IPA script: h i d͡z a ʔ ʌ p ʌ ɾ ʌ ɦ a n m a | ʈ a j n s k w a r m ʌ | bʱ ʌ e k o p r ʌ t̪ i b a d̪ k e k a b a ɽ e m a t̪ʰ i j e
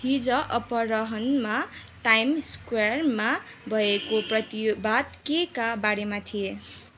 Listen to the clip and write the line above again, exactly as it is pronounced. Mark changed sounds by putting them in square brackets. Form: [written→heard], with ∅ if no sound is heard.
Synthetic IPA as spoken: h i d͡z [a→ʌ] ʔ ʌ p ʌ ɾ ʌ ɦ [a→ʌ] n m a | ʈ a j [n→m] s k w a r m [ʌ→a] | bʱ ʌ e k o p r ʌ t̪ i b a d̪ k e k a b a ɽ e m a t̪ʰ i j e